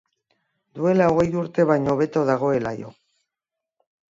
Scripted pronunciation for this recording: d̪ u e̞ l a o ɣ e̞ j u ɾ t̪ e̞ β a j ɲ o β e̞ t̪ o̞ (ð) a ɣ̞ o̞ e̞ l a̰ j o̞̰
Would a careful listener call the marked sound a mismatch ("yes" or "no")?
no